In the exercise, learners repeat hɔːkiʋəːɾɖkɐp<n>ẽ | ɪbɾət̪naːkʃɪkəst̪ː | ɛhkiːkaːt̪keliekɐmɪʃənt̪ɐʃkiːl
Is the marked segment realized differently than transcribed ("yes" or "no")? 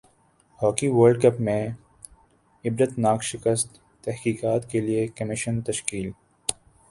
yes